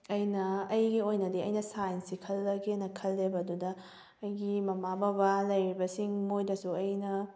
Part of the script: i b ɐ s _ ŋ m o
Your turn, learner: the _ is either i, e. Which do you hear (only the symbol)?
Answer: i